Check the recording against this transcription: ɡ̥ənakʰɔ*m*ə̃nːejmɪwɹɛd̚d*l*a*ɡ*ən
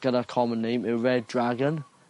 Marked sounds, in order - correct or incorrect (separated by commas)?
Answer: correct, incorrect, correct